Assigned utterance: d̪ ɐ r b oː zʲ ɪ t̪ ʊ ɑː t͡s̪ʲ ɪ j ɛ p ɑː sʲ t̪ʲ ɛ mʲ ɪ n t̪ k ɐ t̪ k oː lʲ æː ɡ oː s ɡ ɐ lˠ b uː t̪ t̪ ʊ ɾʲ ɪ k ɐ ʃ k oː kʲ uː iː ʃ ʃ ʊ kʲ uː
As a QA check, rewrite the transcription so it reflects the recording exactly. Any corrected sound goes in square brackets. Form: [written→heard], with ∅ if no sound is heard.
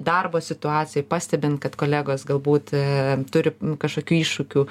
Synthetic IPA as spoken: d̪ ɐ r b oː [zʲ→sʲ] ɪ t̪ ʊ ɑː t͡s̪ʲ ɪ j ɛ p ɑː sʲ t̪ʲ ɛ [mʲ→bʲ] ɪ n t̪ k ɐ t̪ k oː lʲ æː ɡ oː s ɡ ɐ lˠ b uː t̪ t̪ ʊ ɾʲ ɪ k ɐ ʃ k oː kʲ uː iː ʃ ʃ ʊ kʲ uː